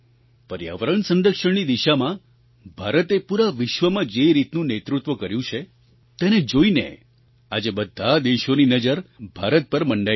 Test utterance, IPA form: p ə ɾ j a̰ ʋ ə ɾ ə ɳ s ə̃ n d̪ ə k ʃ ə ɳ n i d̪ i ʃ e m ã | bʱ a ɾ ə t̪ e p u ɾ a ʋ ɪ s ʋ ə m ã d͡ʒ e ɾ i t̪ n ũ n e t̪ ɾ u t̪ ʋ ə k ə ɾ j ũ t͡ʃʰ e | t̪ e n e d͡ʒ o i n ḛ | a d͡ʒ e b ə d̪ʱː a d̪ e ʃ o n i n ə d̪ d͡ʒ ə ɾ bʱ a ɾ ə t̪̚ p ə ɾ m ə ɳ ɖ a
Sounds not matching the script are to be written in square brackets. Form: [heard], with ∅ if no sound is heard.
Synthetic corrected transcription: p ə ɾ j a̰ ʋ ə ɾ ə ɳ s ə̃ n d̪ ə k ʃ ə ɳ n i d̪ i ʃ [a] m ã | bʱ a ɾ ə t̪ e p u ɾ a ʋ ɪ [ʃ] ʋ ə m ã d͡ʒ e ɾ i t̪ n ũ n e t̪ ɾ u t̪ ʋ ə k ə ɾ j ũ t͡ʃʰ e | t̪ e n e d͡ʒ o i n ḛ | a d͡ʒ e b ə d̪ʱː a d̪ e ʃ o n i n ə [∅] d͡ʒ ə ɾ bʱ a ɾ ə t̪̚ p ə ɾ m ə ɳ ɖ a